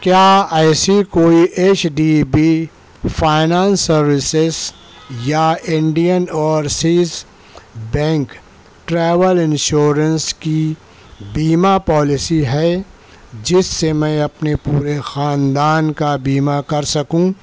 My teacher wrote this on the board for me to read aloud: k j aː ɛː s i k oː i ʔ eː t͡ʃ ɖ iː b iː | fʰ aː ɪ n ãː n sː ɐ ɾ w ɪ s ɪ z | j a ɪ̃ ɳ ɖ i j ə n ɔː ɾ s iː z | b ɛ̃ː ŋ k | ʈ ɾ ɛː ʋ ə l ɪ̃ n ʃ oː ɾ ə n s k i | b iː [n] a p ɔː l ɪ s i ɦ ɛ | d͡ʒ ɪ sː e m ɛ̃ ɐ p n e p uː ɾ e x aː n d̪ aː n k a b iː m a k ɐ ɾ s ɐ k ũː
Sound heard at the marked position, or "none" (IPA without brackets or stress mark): m